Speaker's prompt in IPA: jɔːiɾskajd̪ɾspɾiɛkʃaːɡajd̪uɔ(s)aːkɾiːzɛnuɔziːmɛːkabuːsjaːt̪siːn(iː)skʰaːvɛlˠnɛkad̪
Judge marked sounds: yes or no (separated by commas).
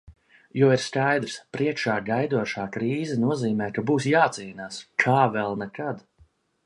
no, no